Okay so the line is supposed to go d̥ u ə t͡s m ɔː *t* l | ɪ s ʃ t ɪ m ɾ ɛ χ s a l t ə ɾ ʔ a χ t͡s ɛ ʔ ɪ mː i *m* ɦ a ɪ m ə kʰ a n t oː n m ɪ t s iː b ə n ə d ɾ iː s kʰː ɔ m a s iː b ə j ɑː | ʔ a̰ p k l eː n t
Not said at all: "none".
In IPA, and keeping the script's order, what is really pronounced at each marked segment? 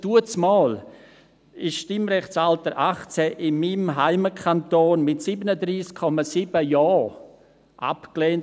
none, m

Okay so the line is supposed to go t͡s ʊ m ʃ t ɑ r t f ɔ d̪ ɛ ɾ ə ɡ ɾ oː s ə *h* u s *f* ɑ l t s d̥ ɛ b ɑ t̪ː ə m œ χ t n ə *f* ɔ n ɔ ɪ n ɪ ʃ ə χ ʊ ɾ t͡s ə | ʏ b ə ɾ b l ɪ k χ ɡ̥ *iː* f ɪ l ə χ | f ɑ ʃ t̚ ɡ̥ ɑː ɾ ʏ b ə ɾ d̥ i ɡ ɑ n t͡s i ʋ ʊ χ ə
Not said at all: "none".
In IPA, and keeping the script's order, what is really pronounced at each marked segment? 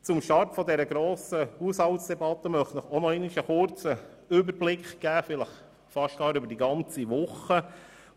h, h, χ, æː

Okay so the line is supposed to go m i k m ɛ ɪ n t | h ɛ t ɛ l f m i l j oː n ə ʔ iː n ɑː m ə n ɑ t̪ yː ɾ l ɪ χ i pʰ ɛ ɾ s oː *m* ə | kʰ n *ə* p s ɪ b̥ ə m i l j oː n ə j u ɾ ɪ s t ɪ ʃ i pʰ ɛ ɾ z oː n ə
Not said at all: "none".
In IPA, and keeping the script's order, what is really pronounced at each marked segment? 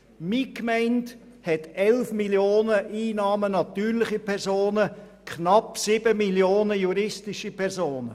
n, ɑ

